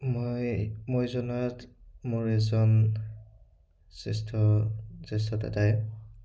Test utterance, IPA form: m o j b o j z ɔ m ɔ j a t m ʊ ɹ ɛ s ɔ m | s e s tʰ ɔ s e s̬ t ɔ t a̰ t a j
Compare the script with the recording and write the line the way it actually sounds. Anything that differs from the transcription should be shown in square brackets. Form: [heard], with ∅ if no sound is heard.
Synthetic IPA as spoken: m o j [m] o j z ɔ [n] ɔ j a t m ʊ ɹ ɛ [z] ɔ [n] | s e s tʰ ɔ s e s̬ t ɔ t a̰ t a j